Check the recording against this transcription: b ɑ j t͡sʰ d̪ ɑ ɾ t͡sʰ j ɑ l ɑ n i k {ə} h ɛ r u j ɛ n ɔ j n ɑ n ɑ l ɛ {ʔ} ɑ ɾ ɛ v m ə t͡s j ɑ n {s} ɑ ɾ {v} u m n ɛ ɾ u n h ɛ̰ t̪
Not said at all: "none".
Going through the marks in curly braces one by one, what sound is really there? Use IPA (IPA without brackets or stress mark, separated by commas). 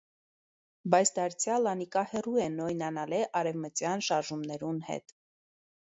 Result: ɑ, ʔ, ʃ, ʒ